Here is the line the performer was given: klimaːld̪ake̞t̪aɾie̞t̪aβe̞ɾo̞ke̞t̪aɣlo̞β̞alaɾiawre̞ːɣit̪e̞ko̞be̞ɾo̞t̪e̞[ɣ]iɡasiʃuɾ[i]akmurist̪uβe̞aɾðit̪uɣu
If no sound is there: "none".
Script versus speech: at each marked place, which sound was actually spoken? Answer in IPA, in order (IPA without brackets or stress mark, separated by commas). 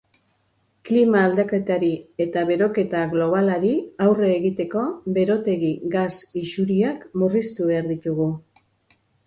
ɣ, i